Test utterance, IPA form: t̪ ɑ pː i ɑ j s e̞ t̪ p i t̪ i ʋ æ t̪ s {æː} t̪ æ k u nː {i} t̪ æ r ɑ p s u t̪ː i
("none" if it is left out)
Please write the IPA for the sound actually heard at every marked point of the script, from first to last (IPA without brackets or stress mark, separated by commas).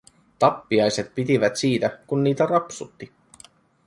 iː, iː